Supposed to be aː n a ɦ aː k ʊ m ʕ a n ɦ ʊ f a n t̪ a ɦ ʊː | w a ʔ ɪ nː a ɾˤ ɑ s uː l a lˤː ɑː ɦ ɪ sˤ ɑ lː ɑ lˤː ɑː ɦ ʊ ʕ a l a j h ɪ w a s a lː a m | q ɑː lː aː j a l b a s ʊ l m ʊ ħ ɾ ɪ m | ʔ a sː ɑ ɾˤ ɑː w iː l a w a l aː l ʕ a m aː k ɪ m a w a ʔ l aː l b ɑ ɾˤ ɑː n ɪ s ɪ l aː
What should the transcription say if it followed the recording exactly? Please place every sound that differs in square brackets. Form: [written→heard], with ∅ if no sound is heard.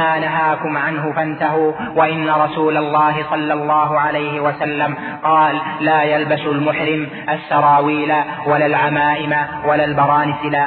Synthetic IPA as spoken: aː n a ɦ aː k ʊ m ʕ a n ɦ ʊ f a n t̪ a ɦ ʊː | w a ʔ ɪ nː a ɾˤ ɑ s uː l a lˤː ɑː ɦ ɪ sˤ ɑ lː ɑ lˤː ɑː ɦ ʊ ʕ a l a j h ɪ w a s a lː a m | q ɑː lː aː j a l b a s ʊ l m ʊ ħ ɾ ɪ m | ʔ a sː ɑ ɾˤ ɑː w iː l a w a l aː l ʕ a m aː [k→ʔ] ɪ m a w a [ʔ→∅] l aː l b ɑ ɾˤ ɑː n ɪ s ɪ l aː